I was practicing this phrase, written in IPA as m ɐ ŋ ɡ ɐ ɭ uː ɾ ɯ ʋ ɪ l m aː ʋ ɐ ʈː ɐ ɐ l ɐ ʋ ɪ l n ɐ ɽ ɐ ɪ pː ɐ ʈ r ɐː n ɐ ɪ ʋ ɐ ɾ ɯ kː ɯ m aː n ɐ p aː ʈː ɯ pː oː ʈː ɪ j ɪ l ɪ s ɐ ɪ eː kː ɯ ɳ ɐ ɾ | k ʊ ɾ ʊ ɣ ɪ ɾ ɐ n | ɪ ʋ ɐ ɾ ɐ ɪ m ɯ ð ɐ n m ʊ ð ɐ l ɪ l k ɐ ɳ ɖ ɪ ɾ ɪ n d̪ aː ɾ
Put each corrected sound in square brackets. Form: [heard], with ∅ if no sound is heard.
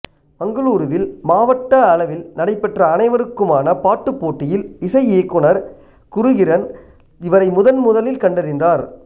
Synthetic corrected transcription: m ɐ ŋ ɡ ɐ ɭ uː ɾ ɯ ʋ ɪ l m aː ʋ ɐ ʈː ɐ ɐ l ɐ ʋ ɪ l n ɐ ɽ ɐ ɪ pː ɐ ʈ r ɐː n ɐ ɪ ʋ ɐ ɾ ɯ kː ɯ m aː n ɐ p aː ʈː ɯ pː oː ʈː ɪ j ɪ l ɪ s ɐ ɪ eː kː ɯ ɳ ɐ ɾ | k ʊ ɾ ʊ ɣ ɪ ɾ ɐ n | ɪ ʋ ɐ ɾ ɐ ɪ m [ʊ] ð ɐ n m ʊ ð ɐ l ɪ l k ɐ ɳ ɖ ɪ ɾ ɪ n d̪ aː ɾ